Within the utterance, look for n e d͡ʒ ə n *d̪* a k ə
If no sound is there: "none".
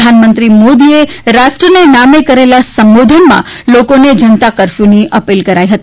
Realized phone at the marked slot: t̪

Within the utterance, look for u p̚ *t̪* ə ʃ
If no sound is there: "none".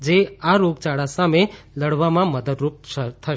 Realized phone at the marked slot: t̪ʰ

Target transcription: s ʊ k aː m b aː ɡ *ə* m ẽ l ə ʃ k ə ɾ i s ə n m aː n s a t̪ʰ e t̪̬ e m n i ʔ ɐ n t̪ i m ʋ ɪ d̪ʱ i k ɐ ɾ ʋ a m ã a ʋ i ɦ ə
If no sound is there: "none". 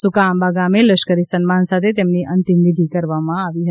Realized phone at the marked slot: a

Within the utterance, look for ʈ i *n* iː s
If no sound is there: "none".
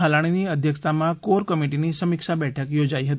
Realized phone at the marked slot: n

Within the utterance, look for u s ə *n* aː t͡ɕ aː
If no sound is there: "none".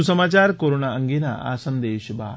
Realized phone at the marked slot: m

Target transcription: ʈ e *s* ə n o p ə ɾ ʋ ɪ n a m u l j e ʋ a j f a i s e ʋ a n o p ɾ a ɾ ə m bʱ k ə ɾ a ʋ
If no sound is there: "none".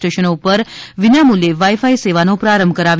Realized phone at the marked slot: ʃ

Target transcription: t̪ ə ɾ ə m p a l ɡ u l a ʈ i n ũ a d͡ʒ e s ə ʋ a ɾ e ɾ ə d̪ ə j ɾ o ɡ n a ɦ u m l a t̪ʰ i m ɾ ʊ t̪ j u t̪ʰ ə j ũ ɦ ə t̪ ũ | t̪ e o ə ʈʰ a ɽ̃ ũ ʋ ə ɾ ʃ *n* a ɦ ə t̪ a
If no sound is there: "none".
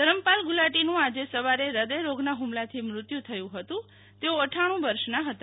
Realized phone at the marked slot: n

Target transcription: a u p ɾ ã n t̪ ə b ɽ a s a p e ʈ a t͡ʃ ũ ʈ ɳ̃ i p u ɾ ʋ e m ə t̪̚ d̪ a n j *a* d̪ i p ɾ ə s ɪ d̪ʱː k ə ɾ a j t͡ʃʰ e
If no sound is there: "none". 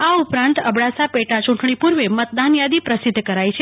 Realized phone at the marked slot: a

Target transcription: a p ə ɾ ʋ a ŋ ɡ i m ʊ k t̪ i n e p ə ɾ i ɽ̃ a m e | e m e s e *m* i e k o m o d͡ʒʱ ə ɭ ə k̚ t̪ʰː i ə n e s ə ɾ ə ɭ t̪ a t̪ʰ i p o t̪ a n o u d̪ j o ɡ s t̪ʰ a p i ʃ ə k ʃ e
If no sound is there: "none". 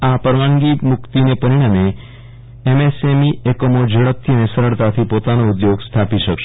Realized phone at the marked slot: m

